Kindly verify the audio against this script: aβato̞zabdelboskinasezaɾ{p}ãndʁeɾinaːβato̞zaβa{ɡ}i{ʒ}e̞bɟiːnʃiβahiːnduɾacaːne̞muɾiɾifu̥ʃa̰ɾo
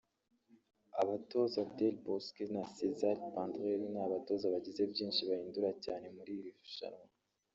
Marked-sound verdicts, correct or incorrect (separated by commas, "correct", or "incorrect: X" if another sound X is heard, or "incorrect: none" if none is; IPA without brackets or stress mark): correct, incorrect: ɟ, incorrect: z